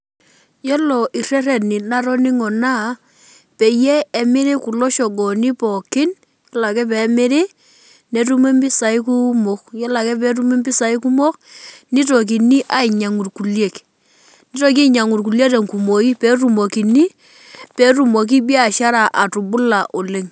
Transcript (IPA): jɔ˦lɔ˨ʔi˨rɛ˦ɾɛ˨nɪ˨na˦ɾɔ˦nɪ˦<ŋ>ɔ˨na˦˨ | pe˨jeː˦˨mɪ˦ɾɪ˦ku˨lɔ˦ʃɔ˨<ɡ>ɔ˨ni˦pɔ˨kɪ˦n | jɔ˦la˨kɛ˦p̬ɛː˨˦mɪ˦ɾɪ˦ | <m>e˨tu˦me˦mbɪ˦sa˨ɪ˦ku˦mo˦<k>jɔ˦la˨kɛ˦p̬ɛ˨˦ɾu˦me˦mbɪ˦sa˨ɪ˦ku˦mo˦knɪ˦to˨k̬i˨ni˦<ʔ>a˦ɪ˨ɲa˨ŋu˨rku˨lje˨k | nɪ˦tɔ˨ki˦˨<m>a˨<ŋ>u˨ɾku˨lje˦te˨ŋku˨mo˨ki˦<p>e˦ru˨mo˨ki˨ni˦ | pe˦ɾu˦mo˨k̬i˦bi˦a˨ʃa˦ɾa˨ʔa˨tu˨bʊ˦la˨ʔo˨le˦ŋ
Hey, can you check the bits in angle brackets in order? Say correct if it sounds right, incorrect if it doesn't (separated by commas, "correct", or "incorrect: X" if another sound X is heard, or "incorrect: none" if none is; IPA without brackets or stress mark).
correct, correct, incorrect: n, correct, correct, incorrect: ɲ, correct, correct